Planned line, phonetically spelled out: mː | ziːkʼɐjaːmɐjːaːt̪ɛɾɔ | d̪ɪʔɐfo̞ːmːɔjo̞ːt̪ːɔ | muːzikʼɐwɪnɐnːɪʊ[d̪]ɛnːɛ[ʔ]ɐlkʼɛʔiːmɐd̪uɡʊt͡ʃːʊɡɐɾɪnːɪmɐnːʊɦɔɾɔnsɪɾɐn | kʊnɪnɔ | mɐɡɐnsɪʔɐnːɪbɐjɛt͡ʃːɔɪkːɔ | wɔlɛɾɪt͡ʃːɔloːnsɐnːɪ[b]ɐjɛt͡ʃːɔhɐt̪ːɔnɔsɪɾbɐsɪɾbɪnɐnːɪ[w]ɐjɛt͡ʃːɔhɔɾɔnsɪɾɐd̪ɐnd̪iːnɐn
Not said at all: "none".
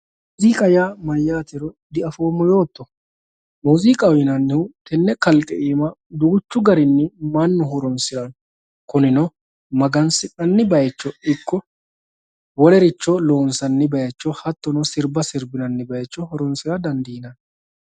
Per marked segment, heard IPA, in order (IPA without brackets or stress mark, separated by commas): t̪, k, b, b